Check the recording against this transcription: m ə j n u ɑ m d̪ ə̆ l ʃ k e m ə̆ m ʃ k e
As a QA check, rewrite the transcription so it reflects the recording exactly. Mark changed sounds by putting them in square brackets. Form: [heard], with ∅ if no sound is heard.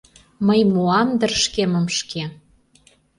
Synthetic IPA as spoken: m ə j [m] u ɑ m d̪ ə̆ [r] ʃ k e m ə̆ m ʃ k e